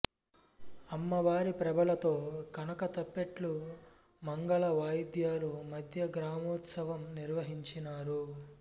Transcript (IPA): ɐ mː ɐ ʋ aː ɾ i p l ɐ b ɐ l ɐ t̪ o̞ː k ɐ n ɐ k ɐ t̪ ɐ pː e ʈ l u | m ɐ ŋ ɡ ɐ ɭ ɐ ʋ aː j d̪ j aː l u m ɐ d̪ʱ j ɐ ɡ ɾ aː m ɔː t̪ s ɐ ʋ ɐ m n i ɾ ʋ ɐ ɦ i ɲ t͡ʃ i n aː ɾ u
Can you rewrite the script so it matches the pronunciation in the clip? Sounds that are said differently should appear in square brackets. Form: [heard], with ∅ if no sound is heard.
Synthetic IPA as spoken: ɐ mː ɐ ʋ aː ɾ i p [ɾ] ɐ b ɐ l ɐ t̪ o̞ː k ɐ n ɐ k ɐ t̪ ɐ pː e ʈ l u | m ɐ ŋ ɡ ɐ ɭ ɐ ʋ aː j d̪ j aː l u m ɐ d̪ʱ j ɐ ɡ ɾ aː m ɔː t̪ s ɐ ʋ ɐ m n i ɾ ʋ ɐ ɦ i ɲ t͡ʃ i n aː ɾ u